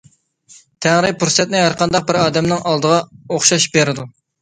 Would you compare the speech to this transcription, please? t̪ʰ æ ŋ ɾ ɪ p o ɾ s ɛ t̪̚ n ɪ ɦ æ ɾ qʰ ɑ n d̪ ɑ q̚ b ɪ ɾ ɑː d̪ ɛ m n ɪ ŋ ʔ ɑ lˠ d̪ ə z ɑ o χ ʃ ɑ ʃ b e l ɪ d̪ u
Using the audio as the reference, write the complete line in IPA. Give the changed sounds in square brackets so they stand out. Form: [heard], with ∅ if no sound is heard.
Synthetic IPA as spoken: t̪ʰ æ ŋ ɾ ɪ p [u] ɾ s ɛ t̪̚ n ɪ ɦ æ ɾ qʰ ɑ n d̪ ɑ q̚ b ɪ ɾ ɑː d̪ ɛ m n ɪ ŋ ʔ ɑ lˠ d̪ ə [ʁ] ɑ o χ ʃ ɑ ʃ b e [ɾ] ɪ d̪ u